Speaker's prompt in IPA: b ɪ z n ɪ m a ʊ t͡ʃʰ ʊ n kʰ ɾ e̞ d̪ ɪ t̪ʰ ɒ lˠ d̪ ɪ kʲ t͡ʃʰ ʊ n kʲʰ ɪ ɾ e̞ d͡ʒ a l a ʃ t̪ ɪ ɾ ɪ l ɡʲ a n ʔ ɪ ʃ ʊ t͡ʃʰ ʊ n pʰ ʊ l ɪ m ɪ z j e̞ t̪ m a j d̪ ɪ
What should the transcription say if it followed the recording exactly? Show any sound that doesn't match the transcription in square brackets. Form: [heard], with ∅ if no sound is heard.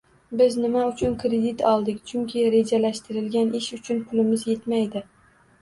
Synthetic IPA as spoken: b ɪ z n ɪ m a ʊ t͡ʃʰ ʊ n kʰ ɾ e̞ d̪ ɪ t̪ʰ ɒ lˠ d̪ ɪ kʲ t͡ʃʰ ʊ [ŋ] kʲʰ ɪ ɾ e̞ d͡ʒ a l a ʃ t̪ ɪ ɾ ɪ l ɡʲ a n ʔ ɪ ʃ ʊ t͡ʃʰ ʊ n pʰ ʊ l ɪ m ɪ z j e̞ t̪ m a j d̪ ɪ